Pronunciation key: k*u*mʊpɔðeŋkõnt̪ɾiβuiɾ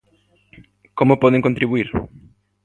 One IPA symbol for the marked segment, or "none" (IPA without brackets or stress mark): o